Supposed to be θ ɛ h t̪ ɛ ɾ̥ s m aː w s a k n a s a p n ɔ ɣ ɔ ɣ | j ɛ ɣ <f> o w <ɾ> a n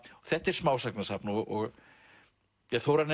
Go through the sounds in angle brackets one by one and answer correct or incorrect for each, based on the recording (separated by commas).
incorrect, correct